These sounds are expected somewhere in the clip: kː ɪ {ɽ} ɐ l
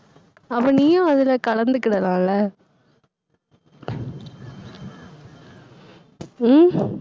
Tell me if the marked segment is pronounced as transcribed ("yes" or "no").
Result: yes